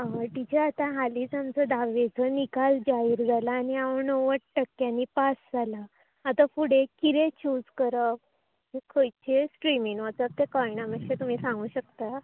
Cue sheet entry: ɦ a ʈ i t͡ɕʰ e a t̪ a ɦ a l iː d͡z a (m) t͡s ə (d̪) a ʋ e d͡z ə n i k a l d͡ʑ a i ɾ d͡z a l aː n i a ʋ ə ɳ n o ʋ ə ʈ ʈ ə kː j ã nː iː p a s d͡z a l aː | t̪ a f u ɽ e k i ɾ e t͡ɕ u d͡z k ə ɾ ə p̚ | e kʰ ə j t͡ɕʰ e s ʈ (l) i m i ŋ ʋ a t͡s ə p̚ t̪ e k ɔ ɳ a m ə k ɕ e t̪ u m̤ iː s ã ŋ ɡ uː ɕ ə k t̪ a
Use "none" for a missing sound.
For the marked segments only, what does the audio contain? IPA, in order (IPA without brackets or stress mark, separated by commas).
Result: m, d̪, ɾ